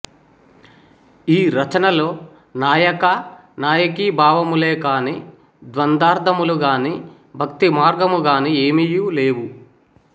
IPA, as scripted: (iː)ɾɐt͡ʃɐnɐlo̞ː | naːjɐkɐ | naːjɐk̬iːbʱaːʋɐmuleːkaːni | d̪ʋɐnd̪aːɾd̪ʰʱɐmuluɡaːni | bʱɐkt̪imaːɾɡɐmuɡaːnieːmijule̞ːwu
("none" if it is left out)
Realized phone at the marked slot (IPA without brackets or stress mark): iː